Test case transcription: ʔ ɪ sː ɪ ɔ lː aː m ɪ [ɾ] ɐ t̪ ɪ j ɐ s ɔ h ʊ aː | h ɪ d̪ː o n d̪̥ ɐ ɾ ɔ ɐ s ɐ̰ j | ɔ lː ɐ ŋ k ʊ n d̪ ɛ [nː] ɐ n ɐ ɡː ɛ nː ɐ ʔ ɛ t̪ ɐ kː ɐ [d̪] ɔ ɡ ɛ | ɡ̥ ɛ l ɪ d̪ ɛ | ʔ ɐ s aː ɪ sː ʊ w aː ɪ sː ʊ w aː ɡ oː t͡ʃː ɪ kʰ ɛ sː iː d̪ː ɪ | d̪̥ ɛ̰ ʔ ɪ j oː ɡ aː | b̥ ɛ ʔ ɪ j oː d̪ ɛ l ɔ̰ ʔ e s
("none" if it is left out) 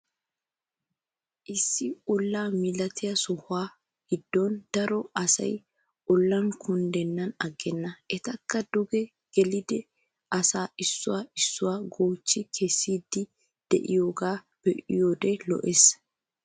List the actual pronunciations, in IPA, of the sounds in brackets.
l, nː, d̪

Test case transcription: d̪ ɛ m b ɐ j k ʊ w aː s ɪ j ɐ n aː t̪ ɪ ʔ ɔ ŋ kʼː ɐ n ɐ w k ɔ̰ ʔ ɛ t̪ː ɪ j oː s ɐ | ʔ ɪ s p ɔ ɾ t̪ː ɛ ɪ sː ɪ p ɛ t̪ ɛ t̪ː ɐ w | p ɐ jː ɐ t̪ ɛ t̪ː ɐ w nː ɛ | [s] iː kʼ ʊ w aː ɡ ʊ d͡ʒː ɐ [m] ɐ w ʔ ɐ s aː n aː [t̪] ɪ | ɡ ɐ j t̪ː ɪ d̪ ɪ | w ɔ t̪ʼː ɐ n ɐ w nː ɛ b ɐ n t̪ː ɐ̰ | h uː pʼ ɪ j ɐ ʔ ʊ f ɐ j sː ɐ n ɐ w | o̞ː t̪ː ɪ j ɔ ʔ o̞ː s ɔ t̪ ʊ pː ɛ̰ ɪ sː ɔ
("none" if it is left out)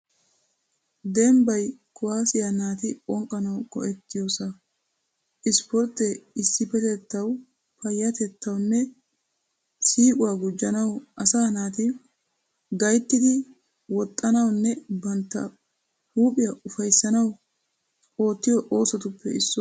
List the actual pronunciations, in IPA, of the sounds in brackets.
s, n, t̪

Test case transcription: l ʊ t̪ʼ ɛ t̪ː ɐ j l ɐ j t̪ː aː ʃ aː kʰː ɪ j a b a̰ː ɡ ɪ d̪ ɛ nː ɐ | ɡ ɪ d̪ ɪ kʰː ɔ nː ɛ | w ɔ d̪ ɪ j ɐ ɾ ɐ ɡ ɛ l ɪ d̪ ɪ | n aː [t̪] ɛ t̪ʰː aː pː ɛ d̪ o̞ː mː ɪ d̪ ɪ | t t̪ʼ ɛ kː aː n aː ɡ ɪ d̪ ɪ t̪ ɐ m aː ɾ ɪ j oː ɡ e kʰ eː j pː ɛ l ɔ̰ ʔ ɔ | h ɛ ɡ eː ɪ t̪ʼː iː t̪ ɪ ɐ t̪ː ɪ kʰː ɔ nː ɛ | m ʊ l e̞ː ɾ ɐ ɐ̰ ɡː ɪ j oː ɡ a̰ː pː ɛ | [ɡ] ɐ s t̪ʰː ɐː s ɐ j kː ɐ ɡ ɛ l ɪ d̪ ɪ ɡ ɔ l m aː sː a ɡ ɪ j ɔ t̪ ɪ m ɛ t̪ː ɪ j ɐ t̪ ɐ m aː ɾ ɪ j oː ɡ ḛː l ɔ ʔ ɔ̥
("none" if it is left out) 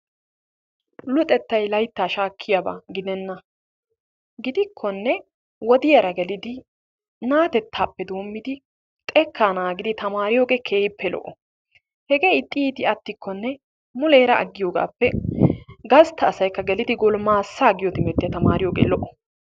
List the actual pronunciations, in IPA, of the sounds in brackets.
t̪, ɡ

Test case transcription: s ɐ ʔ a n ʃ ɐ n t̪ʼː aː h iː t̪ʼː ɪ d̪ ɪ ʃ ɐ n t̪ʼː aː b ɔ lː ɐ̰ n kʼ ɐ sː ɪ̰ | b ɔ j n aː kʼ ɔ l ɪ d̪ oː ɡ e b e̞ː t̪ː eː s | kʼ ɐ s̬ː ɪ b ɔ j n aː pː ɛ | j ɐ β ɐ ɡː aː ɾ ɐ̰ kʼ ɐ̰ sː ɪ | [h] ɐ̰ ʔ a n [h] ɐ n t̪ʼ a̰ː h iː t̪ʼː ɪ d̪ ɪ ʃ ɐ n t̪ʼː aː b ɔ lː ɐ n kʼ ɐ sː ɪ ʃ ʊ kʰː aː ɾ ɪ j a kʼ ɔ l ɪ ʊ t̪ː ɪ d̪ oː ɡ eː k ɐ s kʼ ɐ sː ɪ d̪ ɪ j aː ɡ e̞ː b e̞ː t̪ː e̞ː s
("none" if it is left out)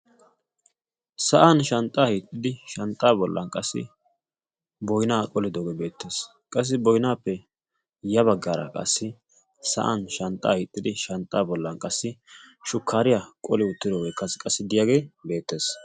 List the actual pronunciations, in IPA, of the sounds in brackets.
s, ʃ

